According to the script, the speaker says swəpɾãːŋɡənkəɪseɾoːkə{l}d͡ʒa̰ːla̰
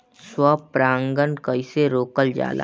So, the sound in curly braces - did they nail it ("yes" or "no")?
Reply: yes